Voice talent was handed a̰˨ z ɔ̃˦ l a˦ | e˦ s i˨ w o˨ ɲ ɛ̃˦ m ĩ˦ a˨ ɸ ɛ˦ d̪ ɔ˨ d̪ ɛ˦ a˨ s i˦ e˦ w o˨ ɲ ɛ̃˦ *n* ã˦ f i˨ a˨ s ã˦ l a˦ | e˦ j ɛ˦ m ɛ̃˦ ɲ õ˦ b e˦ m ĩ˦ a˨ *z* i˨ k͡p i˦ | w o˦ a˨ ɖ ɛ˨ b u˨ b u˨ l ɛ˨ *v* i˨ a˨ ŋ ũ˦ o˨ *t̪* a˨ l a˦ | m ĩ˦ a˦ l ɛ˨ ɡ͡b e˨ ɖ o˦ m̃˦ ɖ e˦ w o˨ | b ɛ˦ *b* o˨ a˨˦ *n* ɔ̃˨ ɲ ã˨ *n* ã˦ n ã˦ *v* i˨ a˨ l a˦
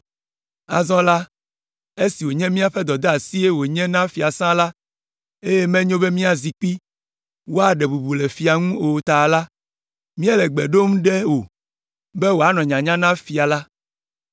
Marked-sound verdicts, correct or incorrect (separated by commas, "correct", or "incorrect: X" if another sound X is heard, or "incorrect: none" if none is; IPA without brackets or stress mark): correct, correct, incorrect: f, correct, incorrect: w, correct, incorrect: ɲ, incorrect: f